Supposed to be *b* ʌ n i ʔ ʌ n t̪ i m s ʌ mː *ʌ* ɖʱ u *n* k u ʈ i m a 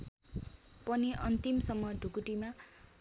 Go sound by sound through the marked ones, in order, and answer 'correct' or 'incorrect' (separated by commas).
incorrect, correct, incorrect